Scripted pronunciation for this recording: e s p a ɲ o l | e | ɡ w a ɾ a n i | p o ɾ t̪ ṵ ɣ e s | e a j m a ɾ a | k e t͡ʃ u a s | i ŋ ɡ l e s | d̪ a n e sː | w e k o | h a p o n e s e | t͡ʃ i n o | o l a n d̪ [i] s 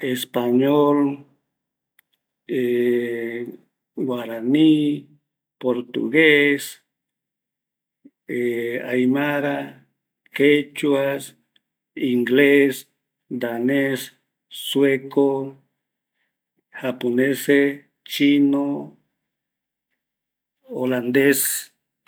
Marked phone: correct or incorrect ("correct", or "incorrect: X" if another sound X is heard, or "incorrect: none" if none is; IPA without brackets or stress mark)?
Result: incorrect: e